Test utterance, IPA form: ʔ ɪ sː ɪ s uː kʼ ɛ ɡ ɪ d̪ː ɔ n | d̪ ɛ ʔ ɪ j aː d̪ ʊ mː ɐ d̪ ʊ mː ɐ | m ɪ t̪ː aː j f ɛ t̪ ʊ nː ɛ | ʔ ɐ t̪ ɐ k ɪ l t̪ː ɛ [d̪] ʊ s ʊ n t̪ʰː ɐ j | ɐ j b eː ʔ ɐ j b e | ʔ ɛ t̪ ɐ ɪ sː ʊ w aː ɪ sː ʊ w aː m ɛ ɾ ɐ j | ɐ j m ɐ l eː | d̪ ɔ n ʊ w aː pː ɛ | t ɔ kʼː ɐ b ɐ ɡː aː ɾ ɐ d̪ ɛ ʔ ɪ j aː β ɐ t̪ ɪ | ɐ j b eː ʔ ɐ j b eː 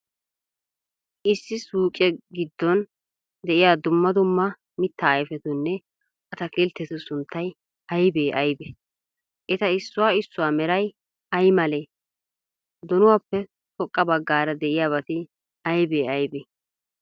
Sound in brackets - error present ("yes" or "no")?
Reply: yes